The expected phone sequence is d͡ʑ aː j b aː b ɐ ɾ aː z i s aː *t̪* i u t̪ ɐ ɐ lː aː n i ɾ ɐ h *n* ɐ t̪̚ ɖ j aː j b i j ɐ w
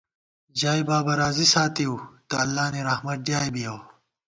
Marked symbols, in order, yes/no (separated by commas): yes, no